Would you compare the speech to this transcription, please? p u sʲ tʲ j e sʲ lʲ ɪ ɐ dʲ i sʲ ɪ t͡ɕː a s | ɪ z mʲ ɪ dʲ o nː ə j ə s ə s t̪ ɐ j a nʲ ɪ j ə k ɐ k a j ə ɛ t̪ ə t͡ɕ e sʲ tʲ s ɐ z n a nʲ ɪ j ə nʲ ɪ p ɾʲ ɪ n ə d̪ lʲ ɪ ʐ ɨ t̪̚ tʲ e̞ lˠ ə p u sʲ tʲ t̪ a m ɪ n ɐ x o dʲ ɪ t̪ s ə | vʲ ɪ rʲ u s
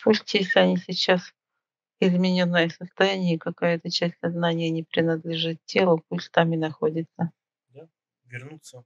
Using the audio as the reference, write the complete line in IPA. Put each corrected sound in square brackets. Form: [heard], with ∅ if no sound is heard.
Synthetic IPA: p u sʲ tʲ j e sʲ lʲ ɪ ɐ [nʲ] i sʲ ɪ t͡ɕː a s | ɪ z mʲ ɪ [nʲ] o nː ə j ə s ə s t̪ ɐ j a nʲ ɪ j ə k ɐ k a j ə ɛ t̪ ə t͡ɕ [æ] sʲ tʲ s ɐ z n a nʲ ɪ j ə nʲ ɪ p ɾʲ ɪ n ə d̪ lʲ ɪ ʐ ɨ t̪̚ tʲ e̞ lˠ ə p u sʲ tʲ t̪ a m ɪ n ɐ x o dʲ ɪ t̪ s ə | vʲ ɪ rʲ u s